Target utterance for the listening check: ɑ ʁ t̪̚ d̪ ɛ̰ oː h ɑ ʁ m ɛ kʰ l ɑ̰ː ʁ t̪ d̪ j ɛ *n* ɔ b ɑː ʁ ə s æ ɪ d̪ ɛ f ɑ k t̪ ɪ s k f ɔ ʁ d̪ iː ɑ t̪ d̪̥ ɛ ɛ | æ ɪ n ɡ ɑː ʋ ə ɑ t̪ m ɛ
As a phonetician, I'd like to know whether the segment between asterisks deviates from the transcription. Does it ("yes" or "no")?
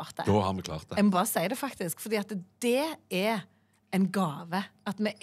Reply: yes